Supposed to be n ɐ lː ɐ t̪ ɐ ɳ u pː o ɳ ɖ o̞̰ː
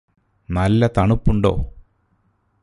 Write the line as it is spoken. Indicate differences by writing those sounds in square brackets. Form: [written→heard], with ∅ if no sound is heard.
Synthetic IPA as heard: n ɐ lː ɐ t̪ ɐ ɳ u pː [o→u] ɳ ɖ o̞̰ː